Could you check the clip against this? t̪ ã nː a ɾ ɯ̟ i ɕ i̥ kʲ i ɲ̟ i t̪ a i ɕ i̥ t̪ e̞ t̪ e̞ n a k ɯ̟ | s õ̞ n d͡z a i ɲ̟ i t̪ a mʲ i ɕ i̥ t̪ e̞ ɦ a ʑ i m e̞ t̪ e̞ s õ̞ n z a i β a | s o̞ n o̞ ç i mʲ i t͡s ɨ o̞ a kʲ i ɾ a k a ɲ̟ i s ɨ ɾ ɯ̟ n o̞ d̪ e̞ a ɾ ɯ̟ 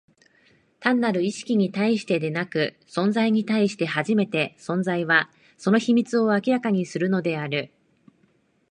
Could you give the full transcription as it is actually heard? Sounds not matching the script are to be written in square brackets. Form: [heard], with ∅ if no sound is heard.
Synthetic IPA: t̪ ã nː a ɾ ɯ̟ i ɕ i̥ kʲ i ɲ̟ i t̪ a i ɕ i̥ t̪ e̞ [d̪] e̞ n a k ɯ̟ | s õ̞ n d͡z a i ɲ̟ i t̪ a [∅] i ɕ i̥ t̪ e̞ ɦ a ʑ i m e̞ t̪ e̞ s õ̞ n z a i β a | s o̞ n o̞ ç i mʲ i t͡s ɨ o̞ a kʲ i ɾ a k a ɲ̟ i s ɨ ɾ ɯ̟ n o̞ d̪ e̞ a ɾ ɯ̟

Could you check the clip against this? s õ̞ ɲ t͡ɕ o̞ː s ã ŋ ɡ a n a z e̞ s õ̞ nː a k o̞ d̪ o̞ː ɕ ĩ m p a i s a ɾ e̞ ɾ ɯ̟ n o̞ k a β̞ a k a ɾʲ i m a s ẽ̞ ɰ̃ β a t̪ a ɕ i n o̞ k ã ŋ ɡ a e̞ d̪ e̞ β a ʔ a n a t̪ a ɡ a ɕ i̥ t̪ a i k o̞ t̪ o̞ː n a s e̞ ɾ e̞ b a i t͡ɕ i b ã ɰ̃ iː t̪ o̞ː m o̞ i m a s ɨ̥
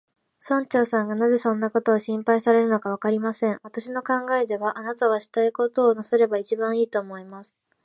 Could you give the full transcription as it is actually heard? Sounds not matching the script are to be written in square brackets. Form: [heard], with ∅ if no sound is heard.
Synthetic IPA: s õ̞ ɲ t͡ɕ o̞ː s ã ŋ ɡ a n a z e̞ s õ̞ nː a k o̞ [t̪] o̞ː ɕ ĩ m p a i s a ɾ e̞ ɾ ɯ̟ n o̞ k a β̞ a k a ɾʲ i m a s ẽ̞ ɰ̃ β a t̪ a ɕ i n o̞ k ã ŋ ɡ a e̞ d̪ e̞ β a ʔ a n a t̪ a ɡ a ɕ i̥ t̪ a i k o̞ t̪ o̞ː n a s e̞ ɾ e̞ b a i t͡ɕ i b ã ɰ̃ iː t̪ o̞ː m o̞ i m a s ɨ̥

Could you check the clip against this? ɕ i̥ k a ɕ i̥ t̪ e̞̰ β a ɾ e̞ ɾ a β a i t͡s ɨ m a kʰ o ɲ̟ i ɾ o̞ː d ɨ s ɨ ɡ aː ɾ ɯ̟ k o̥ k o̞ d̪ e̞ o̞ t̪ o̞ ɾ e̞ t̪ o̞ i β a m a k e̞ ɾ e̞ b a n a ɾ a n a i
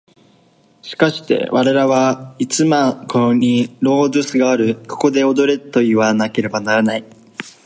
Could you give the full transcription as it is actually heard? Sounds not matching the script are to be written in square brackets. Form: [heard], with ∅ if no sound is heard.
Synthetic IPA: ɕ i̥ k a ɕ i̥ t̪ e̞̰ β a ɾ e̞ ɾ a β a i t͡s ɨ m a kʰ o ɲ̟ i ɾ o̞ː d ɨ s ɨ ɡ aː ɾ ɯ̟ k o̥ k o̞ d̪ e̞ o̞ [d̪] o̞ ɾ e̞ t̪ o̞ i β a [n] a k e̞ ɾ e̞ b a n a ɾ a n a i

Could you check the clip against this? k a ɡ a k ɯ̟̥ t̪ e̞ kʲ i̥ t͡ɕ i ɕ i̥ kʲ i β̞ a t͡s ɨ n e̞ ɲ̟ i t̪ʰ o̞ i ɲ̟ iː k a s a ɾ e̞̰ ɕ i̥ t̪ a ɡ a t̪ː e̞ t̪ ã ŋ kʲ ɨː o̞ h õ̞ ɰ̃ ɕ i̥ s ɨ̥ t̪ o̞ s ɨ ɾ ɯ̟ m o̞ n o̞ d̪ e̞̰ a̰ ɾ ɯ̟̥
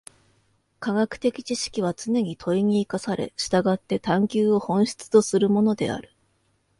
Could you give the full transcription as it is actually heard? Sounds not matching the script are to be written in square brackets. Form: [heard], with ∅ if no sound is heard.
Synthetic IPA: k a ɡ a k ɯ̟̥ t̪ e̞ kʲ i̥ t͡ɕ i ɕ i̥ kʲ i β̞ a t͡s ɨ n e̞ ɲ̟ i t̪ʰ o̞ i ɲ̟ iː k a s a ɾ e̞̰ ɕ i̥ t̪ a ɡ a t̪ː e̞ t̪ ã ŋ kʲ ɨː o̞ h õ̞ ɰ̃ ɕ i̥ [t͡s] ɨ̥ t̪ o̞ s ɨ ɾ ɯ̟ m o̞ n o̞ d̪ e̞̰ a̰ ɾ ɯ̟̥

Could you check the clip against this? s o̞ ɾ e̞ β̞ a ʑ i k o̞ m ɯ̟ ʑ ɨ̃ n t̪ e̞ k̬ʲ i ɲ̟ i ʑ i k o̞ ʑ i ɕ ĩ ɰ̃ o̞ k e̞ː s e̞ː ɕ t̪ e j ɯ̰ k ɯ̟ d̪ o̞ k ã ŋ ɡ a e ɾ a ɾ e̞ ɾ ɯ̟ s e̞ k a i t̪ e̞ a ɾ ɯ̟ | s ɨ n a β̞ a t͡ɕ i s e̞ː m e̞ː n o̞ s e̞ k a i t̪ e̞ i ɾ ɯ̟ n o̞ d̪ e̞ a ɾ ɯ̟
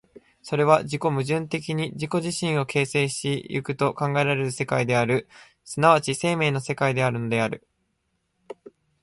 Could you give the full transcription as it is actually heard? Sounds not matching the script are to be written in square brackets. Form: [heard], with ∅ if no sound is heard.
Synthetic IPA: s o̞ ɾ e̞ β̞ a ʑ i k o̞ m ɯ̟ ʑ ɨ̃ n t̪ e̞ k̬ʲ i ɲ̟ i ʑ i k o̞ ʑ i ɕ ĩ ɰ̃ o̞ k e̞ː s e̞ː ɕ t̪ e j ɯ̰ k ɯ̟ [t̪] o̞ k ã ŋ ɡ a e ɾ a ɾ e̞ ɾ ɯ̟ s e̞ k a i [d̪] e̞ a ɾ ɯ̟ | s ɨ n a β̞ a t͡ɕ i s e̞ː m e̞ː n o̞ s e̞ k a i [d̪] e̞ [a] ɾ ɯ̟ n o̞ d̪ e̞ a ɾ ɯ̟

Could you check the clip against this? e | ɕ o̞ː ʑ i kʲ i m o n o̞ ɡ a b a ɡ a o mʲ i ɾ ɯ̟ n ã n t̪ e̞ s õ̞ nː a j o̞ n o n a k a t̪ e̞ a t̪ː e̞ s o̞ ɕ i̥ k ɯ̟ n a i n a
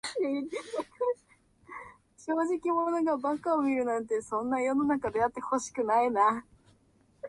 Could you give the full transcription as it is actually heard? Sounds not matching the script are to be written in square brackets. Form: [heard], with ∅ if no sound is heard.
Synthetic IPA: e | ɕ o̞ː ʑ i kʲ i m o n o̞ ɡ a b a [k] a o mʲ i ɾ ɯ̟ n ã n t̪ e̞ s õ̞ nː a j o̞ n o n a k a [d̪] e̞ a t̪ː e̞ [h] o̞ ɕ i̥ k ɯ̟ n a i n a

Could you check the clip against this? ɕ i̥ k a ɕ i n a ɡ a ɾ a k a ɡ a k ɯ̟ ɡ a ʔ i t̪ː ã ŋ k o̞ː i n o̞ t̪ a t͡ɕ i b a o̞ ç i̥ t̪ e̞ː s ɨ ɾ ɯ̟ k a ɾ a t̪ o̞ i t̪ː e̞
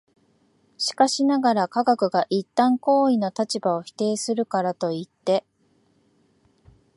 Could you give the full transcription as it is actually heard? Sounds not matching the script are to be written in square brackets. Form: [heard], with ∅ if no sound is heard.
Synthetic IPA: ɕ i̥ k a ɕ i n a ɡ a ɾ a k a ɡ a k ɯ̟ ɡ a ʔ i t̪ː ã ŋ k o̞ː i n o̞ t̪ a t͡ɕ i b a o̞ ç i̥ t̪ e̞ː s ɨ ɾ ɯ̟ k a ɾ a t̪ o̞ i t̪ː e̞

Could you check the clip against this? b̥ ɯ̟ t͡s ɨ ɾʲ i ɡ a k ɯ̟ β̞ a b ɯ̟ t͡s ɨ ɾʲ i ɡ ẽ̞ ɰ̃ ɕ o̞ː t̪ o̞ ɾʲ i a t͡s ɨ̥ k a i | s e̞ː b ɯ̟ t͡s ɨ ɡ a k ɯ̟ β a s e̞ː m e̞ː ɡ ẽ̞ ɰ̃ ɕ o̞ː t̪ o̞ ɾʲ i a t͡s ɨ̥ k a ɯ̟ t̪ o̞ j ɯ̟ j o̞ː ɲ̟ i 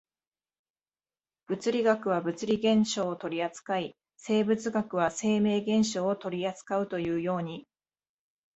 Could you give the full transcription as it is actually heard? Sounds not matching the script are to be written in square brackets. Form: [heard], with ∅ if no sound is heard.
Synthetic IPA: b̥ ɯ̟ t͡s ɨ ɾʲ i ɡ a k ɯ̟ β̞ a b ɯ̟ t͡s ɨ ɾʲ i ɡ ẽ̞ ɰ̃ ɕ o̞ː t̪ o̞ ɾʲ i a t͡s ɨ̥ k a i | s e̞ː b ɯ̟ t͡s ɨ ɡ a k ɯ̟ β a s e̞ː m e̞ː ɡ ẽ̞ ɰ̃ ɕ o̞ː t̪ o̞ ɾʲ i a t͡s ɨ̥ k a ɯ̟ t̪ o̞ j [ɯ̟ː] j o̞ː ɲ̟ i

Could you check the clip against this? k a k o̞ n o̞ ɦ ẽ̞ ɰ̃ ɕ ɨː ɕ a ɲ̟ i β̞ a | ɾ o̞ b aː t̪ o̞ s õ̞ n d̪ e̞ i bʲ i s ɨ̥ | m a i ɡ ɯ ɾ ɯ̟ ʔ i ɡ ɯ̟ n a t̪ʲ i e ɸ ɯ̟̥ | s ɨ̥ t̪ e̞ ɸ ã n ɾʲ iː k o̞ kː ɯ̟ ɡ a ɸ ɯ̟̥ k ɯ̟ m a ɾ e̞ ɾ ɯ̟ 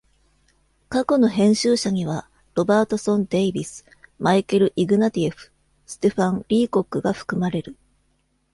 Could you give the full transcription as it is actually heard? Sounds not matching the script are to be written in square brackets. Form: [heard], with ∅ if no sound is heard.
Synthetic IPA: k a k o̞ n o̞ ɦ ẽ̞ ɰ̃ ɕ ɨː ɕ a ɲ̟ i β̞ a | ɾ o̞ b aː t̪ o̞ s õ̞ n d̪ e̞ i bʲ i s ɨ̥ | m a i [k] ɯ ɾ ɯ̟ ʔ i ɡ ɯ̟ n a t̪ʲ i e ɸ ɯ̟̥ | s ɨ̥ t̪ e̞ ɸ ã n ɾʲ iː k o̞ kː ɯ̟ ɡ a ɸ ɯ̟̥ k ɯ̟ m a ɾ e̞ ɾ ɯ̟

